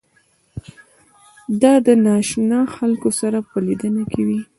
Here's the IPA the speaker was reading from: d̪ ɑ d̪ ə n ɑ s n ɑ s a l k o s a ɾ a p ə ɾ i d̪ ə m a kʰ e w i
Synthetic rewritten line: d̪ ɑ d̪ ə n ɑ ʃ n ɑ x a l k o s a ɾ a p ə l i d̪ ə n a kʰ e w i